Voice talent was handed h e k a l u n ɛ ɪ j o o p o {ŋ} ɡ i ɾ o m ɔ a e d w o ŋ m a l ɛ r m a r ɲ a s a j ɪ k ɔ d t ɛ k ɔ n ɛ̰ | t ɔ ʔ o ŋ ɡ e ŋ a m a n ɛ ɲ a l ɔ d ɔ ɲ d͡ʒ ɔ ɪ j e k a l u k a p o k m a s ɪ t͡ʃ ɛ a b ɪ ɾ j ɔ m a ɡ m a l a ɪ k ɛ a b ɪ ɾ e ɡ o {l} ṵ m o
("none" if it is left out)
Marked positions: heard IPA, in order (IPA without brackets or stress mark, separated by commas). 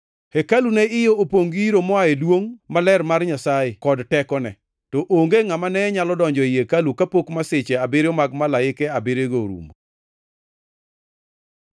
ŋ, ɾ